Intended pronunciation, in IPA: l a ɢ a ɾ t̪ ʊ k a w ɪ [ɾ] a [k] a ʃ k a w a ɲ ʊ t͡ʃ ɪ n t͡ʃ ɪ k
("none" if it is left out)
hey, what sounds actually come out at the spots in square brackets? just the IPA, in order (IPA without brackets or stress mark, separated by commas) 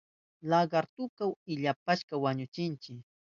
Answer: ʎ, p